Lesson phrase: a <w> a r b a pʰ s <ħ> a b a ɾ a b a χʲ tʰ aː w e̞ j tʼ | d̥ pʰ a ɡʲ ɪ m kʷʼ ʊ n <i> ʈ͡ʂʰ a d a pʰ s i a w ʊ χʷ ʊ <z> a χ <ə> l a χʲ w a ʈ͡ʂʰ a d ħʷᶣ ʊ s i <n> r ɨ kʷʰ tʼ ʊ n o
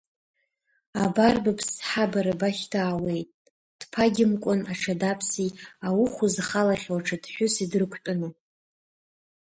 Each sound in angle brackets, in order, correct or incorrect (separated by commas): incorrect, correct, incorrect, correct, incorrect, incorrect